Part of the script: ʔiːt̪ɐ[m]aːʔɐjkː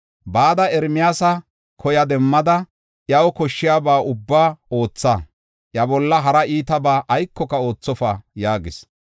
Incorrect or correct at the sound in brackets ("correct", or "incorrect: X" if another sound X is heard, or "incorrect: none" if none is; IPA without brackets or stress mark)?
incorrect: b